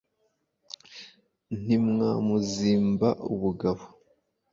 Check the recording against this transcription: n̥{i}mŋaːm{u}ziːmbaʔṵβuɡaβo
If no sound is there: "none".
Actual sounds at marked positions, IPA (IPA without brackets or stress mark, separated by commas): i, u